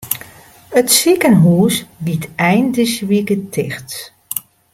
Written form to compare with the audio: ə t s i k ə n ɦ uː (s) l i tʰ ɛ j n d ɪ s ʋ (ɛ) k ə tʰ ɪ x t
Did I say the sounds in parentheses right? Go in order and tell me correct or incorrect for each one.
correct, incorrect: i

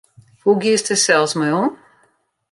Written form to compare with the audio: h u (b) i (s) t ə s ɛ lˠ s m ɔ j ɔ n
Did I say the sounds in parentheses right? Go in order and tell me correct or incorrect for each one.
incorrect: ɡ, correct

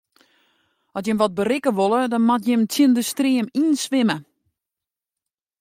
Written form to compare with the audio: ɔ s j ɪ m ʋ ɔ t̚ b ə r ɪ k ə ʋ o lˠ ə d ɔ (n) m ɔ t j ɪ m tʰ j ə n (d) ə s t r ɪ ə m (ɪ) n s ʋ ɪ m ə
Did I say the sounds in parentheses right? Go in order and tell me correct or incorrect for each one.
correct, correct, incorrect: i

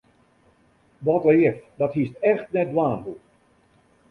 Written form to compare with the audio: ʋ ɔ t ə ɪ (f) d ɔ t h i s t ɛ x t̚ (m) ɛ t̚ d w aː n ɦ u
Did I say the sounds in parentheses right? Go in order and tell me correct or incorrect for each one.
correct, incorrect: n

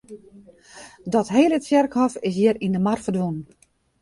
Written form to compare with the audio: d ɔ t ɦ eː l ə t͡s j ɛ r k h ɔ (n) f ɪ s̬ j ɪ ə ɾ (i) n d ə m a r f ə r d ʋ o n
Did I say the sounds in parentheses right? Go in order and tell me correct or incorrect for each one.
incorrect: none, correct

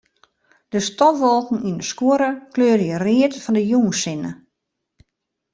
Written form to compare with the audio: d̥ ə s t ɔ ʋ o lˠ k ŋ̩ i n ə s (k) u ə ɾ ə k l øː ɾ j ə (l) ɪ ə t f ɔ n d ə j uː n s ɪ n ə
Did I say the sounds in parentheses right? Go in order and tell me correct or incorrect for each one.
correct, incorrect: r

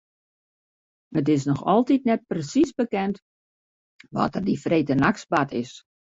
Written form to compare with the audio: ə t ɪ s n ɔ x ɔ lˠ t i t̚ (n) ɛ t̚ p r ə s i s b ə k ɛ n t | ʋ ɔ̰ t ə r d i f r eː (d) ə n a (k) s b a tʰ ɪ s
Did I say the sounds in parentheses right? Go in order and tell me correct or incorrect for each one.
correct, incorrect: t, correct

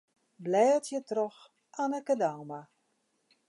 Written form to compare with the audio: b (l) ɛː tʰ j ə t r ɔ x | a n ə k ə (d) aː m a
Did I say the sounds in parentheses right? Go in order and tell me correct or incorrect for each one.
correct, correct

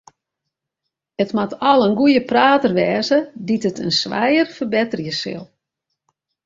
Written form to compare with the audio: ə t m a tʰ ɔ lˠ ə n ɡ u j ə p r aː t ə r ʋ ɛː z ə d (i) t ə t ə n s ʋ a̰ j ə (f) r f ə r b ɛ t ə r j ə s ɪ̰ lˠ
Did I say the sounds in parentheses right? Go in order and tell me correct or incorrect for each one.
correct, incorrect: none

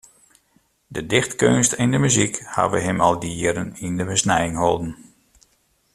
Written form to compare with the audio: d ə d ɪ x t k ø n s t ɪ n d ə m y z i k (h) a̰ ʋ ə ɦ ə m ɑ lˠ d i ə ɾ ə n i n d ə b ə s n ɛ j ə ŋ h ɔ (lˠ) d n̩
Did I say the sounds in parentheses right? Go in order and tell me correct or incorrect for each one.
correct, correct

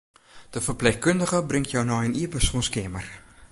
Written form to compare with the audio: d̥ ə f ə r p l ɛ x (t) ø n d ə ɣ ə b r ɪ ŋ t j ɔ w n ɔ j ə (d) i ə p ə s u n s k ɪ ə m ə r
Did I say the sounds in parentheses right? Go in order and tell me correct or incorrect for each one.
incorrect: k, incorrect: n

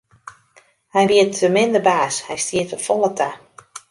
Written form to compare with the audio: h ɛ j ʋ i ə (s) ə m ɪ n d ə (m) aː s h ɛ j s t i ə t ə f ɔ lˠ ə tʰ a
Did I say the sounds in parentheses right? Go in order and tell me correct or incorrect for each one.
incorrect: t, incorrect: b

